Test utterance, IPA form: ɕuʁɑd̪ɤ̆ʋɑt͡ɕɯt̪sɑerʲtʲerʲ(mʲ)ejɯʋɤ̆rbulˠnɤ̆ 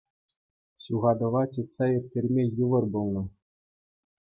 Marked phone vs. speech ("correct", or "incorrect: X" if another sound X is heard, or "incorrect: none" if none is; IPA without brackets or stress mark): correct